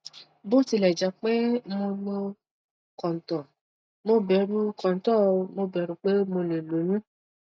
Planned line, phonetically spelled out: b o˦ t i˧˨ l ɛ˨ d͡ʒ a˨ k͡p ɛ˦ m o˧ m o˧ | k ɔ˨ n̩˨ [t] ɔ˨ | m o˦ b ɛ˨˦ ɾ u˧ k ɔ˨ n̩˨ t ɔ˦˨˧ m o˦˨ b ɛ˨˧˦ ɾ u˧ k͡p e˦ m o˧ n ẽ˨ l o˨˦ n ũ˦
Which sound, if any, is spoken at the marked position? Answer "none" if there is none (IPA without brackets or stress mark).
t